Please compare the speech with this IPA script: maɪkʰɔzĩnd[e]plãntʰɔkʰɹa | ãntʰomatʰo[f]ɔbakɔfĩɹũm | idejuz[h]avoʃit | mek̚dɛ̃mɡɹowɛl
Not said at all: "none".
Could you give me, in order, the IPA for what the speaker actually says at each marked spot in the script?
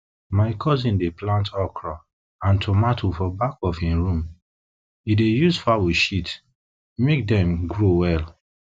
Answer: e, f, f

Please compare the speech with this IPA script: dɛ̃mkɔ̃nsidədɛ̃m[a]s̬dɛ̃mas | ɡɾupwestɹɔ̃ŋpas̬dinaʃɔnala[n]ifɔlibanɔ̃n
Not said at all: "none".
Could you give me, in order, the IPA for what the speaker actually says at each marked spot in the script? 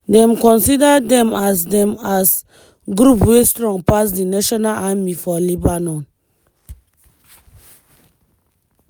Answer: a, m

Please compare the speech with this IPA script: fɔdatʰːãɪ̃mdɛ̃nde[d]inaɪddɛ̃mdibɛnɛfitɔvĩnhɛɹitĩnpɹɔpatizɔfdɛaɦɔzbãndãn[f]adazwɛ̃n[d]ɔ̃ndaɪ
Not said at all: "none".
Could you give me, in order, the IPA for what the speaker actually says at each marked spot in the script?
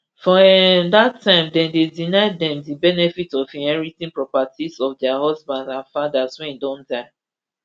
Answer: d, f, d

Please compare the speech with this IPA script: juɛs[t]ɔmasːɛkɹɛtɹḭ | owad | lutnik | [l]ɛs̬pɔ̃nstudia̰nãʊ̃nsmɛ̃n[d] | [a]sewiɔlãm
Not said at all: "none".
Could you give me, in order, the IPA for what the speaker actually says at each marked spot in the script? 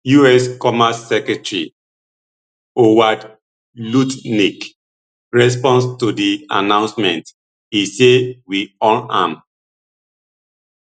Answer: k, ɹ, t, i

